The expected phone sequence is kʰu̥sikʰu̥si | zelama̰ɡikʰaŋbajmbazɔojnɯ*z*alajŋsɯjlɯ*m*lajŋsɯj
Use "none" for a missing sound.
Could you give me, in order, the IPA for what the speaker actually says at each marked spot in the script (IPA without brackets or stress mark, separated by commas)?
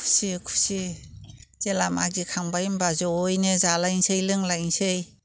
z, ŋ